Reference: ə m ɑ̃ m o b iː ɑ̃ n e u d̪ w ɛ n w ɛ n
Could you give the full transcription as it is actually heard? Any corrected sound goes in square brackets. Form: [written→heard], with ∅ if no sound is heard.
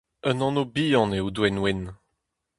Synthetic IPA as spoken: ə [m→n] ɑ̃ [m→n] o b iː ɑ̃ n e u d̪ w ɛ n w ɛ n